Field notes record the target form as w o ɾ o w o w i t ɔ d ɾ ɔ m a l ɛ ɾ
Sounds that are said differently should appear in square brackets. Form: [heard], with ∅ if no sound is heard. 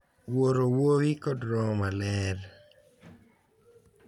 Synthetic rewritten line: w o ɾ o w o w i [k] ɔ d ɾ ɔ m a l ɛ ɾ